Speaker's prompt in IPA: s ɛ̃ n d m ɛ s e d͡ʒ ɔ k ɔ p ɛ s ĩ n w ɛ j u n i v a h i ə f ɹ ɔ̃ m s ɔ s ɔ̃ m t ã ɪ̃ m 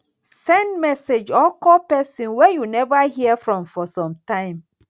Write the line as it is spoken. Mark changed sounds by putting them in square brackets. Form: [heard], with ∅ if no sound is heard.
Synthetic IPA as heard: s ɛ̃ n d m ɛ s e d͡ʒ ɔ k ɔ p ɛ s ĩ n w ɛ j u n [ɛ] v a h i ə f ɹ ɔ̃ m [f] ɔ s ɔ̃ m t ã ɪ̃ m